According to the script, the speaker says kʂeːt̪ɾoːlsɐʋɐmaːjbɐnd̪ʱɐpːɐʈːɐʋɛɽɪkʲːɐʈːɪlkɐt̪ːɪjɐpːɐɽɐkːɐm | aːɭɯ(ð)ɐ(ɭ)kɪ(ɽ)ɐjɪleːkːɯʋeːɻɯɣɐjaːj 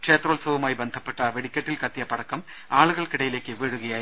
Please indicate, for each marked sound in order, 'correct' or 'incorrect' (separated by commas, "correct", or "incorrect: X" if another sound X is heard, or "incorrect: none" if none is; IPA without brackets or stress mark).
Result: incorrect: ɣ, correct, correct